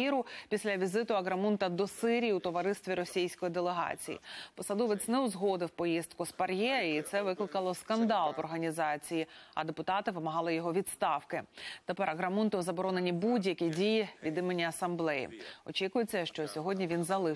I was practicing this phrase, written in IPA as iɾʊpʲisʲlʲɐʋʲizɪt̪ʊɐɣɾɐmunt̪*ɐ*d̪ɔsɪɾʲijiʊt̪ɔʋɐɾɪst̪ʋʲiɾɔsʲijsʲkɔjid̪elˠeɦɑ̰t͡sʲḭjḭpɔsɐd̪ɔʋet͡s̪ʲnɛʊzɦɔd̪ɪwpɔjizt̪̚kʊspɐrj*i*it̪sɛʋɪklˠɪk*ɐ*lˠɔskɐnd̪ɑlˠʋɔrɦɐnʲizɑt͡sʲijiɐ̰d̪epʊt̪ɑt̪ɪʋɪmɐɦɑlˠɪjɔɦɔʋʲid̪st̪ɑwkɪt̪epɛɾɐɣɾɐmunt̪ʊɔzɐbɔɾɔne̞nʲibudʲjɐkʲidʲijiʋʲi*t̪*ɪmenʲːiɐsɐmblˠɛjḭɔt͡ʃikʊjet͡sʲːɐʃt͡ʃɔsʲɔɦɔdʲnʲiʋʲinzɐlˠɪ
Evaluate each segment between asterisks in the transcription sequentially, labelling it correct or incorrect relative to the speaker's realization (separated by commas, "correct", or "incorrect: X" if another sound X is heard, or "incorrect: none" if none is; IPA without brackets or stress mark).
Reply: correct, incorrect: ɛ, correct, incorrect: d̪